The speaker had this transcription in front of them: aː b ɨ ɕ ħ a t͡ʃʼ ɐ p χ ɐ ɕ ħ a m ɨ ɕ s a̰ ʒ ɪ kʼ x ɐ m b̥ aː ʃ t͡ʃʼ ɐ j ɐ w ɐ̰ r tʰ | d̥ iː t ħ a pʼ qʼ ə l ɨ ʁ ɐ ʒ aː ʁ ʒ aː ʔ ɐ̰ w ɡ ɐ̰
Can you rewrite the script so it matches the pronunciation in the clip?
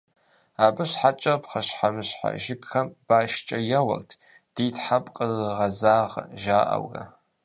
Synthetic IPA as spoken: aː b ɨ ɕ ħ a t͡ʃʼ ɐ p χ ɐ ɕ ħ a m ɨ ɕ ħ a̰ ʒ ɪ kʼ x ɐ m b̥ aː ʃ t͡ʃʼ ɐ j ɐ w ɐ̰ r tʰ | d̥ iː t ħ a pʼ qʼ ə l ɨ ʁ ɐ z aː ʁ ʒ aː ʔ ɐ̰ w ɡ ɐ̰

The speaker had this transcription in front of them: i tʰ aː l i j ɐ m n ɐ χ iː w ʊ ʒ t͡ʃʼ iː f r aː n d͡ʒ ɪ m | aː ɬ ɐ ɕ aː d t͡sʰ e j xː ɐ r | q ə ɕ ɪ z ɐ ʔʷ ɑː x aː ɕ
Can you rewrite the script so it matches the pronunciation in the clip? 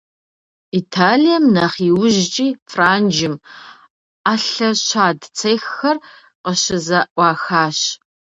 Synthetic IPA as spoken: i tʰ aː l i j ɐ m n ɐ χ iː w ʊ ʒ t͡ʃʼ iː f r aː n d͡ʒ ɪ m | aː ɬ ɐ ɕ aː d t͡sʰ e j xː ɐ r | q ə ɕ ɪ z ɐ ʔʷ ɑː x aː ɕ

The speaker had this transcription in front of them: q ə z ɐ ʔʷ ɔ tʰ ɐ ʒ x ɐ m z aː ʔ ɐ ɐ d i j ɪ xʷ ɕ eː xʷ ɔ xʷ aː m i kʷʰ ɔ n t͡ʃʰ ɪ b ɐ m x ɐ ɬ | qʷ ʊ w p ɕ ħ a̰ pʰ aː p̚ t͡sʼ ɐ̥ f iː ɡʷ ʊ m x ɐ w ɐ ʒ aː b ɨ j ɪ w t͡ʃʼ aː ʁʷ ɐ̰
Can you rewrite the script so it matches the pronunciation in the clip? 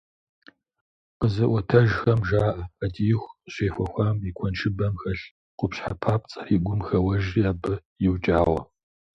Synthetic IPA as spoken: q ə z ɐ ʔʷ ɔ tʰ ɐ ʒ x ɐ m ʒ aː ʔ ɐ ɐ d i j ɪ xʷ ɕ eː xʷ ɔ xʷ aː m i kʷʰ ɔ n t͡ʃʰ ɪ b ɐ m x ɐ ɬ | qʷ ʊ p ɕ ħ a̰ pʰ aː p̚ t͡sʼ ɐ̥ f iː ɡʷ ʊ m x ɐ w ɐ ʒ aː b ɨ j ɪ w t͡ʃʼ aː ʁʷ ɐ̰

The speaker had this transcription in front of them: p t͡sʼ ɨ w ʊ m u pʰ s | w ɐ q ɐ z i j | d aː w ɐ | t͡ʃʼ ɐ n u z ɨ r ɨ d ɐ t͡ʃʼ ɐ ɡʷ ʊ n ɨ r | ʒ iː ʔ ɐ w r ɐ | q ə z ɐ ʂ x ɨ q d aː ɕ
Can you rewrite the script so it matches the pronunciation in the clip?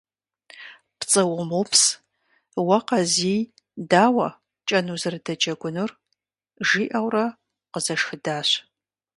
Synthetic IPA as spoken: p t͡sʼ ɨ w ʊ m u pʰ s | w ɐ q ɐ z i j | d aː w ɐ | t͡ʃʼ ɐ n u z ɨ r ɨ d ɐ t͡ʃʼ ɐ ɡʷ ʊ n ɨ r | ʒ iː ʔ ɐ w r ɐ | q ə z ɐ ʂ x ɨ d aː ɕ

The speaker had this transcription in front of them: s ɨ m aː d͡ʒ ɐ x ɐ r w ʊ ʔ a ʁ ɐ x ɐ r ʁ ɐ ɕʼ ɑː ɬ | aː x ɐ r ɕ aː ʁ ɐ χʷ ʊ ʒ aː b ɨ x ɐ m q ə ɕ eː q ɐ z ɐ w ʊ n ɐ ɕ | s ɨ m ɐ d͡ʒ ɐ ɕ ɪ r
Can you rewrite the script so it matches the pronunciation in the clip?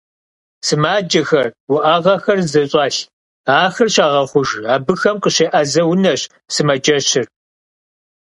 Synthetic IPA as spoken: s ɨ m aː d͡ʒ ɐ x ɐ r w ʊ ʔ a ʁ ɐ x ɐ r z ɐ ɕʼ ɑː ɬ | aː x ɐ r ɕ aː ʁ ɐ χʷ ʊ ʒ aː b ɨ x ɐ m q ə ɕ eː ʔ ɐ z ɐ w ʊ n ɐ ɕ | s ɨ m ɐ d͡ʒ ɐ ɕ ɪ r

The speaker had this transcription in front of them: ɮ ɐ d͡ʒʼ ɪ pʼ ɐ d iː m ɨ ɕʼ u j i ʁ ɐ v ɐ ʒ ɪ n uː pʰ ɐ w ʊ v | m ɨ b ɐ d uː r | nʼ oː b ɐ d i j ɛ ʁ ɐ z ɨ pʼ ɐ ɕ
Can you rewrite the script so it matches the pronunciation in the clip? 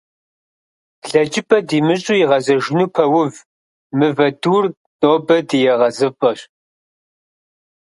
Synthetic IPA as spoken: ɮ ɐ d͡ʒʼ ɪ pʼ ɐ d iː m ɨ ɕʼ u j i ʁ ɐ z ɐ ʒ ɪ n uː pʰ ɐ w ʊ v | m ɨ v ɐ d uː r | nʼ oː b ɐ d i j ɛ ʁ ɐ z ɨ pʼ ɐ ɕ

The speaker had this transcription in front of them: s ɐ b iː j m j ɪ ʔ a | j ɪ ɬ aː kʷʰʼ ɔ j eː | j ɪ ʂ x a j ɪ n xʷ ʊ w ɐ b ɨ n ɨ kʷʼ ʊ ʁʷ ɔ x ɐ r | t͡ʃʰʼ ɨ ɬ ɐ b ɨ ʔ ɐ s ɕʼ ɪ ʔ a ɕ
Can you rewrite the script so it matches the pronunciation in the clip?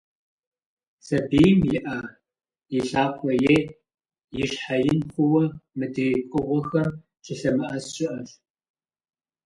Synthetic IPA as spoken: s ɐ b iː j m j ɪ ʔ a | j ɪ ɬ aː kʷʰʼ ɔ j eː | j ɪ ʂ ħ a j ɪ n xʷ ʊ w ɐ m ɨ d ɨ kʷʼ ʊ ʁʷ ɔ x ɐ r | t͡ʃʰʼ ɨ ɬ ɐ m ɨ ʔ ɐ s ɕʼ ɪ ʔ ɐ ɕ

